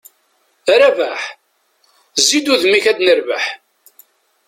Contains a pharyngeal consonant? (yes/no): yes